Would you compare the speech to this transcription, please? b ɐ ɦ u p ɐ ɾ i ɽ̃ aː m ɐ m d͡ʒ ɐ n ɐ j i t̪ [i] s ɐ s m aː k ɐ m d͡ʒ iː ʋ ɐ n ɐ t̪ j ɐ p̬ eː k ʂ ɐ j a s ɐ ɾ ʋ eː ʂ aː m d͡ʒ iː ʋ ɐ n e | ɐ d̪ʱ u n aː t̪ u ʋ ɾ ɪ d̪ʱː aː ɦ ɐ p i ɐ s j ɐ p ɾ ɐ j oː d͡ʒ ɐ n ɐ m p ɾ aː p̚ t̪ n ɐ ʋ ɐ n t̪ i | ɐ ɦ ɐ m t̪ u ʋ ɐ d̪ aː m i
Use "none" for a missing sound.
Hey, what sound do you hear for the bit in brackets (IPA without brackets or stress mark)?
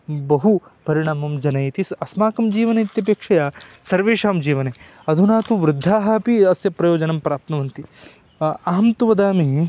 i